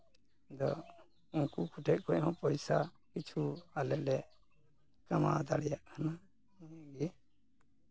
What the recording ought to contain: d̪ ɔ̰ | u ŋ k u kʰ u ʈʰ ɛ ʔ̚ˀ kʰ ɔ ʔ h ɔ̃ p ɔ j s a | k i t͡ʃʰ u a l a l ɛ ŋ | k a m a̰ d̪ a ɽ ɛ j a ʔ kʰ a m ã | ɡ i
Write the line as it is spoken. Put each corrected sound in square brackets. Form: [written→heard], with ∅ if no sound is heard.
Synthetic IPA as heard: d̪ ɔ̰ | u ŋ k u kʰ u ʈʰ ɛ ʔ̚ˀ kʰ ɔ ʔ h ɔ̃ p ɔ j s a | k i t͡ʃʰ u a l [a→ɛ] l ɛ [ŋ→∅] | k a m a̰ d̪ a ɽ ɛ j a ʔ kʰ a [m→n] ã | ɡ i